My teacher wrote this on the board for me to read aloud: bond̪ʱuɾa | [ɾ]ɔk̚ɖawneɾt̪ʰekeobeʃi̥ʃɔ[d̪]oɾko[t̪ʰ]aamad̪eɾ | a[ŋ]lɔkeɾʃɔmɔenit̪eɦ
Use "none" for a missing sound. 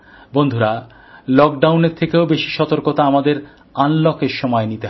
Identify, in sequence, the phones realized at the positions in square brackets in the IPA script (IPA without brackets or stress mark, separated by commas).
l, t̪, t̪, n